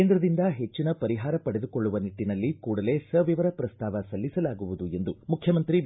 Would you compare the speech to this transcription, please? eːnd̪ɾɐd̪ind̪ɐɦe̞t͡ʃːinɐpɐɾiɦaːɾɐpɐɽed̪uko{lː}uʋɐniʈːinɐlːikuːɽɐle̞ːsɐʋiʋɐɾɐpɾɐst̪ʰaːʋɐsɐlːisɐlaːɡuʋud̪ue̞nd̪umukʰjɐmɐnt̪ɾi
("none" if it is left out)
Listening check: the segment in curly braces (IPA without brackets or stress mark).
ɭː